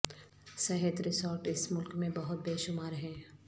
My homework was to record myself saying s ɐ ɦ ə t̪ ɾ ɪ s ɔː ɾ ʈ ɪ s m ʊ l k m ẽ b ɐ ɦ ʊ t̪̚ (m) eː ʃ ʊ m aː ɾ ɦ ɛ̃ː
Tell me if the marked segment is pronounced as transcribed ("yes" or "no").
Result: no